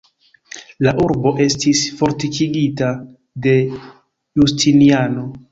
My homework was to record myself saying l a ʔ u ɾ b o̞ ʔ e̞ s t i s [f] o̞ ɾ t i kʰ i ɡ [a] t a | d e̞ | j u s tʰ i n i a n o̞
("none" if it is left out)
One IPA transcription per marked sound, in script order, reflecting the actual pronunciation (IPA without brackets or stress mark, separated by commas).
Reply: f, i